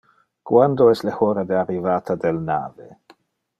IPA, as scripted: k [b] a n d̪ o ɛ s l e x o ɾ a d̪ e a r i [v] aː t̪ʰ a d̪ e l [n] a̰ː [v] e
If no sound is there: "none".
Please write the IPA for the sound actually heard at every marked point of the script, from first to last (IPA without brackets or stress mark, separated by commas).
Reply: w, v, n, v